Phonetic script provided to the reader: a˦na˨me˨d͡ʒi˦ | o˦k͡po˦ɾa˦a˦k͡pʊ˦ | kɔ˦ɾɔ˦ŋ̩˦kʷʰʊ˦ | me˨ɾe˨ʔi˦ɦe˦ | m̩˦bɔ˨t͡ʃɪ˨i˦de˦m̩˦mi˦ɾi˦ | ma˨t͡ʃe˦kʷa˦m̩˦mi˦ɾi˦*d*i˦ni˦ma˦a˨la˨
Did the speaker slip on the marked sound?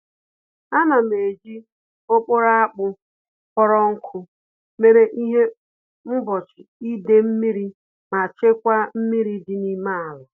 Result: no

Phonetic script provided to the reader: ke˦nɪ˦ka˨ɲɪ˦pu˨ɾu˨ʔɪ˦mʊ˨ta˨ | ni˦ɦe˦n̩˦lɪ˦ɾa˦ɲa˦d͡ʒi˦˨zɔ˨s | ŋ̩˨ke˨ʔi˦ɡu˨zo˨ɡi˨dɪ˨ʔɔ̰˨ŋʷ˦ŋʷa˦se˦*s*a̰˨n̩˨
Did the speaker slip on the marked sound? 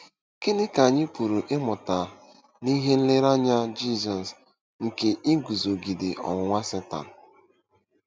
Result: yes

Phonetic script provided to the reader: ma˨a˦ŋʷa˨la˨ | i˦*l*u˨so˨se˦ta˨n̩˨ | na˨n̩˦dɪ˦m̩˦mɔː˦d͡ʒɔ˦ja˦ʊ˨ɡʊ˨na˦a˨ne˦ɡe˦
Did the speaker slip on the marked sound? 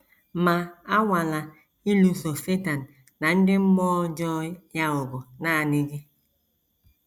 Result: no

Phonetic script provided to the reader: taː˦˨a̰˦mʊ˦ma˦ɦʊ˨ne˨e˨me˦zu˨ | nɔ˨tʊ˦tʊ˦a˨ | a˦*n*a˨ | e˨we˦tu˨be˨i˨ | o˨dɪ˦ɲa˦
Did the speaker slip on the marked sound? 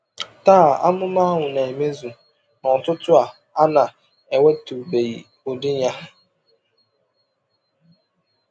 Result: no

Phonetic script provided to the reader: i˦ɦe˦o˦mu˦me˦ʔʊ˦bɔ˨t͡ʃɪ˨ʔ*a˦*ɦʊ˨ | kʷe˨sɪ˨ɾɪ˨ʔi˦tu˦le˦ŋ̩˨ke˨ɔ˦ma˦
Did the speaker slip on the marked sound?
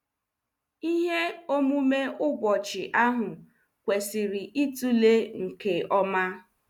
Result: no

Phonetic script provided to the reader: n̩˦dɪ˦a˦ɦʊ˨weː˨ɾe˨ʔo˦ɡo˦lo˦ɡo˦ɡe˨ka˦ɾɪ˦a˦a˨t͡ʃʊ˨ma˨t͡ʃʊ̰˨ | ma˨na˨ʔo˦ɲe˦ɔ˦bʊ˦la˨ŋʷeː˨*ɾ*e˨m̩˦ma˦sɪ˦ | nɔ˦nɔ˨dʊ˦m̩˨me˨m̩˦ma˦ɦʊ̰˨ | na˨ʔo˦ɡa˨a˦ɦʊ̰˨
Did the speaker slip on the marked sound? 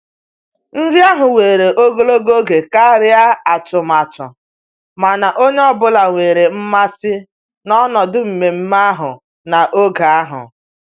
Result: no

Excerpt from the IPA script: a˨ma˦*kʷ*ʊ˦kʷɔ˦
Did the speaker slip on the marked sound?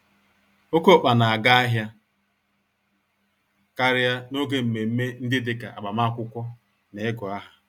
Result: no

